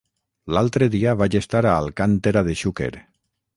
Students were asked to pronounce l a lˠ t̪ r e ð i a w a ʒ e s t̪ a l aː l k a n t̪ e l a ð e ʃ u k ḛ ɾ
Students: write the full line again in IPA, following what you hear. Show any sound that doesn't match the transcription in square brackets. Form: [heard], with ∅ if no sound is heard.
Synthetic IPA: l a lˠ t̪ [ɾ] e ð i a [β] a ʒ e s t̪ a [ɾ] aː l k a n t̪ e [ɾ] a ð e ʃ u k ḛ ɾ